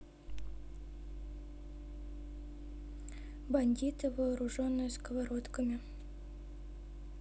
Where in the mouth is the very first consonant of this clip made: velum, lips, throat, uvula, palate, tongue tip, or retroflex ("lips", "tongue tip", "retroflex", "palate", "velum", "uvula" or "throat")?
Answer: lips